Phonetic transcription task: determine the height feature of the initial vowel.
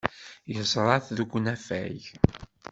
mid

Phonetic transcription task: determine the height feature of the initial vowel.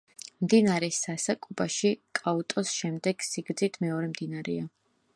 high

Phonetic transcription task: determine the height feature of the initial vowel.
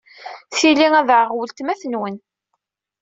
high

